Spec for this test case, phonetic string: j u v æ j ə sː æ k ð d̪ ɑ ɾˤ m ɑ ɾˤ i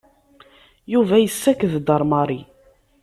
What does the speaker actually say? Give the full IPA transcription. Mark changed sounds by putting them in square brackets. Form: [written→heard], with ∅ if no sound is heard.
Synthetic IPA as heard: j u v æ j ə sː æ k ð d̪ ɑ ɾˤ m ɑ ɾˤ i